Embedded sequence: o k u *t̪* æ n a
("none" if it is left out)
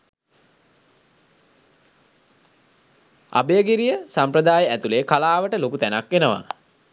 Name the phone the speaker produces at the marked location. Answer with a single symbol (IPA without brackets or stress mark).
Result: t̪